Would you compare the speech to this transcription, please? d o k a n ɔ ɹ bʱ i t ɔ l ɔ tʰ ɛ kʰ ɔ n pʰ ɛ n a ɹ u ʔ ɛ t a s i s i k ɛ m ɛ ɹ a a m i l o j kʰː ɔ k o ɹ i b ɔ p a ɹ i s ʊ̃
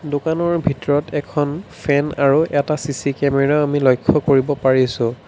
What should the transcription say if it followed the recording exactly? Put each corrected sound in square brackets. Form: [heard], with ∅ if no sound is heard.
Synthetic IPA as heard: d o k a n ɔ ɹ bʱ i t ɔ [ɹ] ɔ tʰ ɛ kʰ ɔ n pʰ ɛ n a ɹ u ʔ ɛ t a s i s i k ɛ m ɛ ɹ a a m i l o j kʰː ɔ k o ɹ i b ɔ p a ɹ i s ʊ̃